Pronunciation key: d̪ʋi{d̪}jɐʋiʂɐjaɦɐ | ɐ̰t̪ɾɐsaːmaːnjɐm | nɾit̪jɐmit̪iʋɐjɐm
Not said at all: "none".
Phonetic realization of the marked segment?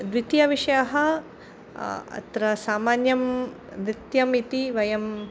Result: t̪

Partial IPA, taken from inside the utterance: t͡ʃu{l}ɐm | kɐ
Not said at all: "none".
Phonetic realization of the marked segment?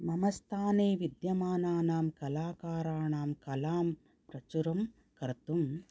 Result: ɾ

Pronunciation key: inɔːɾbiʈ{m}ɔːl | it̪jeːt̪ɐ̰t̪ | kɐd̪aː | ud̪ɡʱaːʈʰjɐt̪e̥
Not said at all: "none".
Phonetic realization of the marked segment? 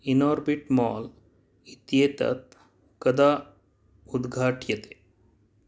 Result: m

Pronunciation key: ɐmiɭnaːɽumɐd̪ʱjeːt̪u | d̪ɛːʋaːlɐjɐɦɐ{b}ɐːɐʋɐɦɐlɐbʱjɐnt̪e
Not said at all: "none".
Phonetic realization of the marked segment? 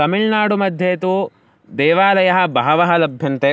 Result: b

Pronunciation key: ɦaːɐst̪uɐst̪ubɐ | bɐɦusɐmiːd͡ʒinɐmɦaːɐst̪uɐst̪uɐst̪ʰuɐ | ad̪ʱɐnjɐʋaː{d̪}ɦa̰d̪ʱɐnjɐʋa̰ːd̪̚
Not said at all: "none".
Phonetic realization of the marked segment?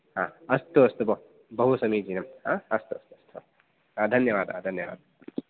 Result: d̪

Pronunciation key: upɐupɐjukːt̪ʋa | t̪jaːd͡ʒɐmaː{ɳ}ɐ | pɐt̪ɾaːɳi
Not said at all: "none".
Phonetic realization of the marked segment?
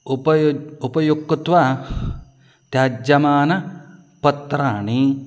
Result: n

